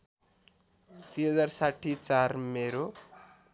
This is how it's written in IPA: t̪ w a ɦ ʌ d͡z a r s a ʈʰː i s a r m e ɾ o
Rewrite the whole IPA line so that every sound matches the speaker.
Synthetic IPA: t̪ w i ɦ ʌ d͡z a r s a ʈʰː i t͡s a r m e ɾ o